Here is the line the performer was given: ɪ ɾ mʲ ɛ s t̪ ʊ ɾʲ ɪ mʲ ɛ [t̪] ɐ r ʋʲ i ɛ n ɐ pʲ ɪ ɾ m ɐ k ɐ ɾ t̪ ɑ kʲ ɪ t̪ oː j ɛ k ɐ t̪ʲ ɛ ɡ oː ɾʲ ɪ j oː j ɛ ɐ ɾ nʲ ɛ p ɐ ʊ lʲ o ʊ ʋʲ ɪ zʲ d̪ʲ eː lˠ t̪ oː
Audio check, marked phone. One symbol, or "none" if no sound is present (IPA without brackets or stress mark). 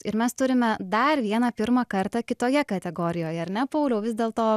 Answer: d̪